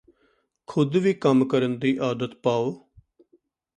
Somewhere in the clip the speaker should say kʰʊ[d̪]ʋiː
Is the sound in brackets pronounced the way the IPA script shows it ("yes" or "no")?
yes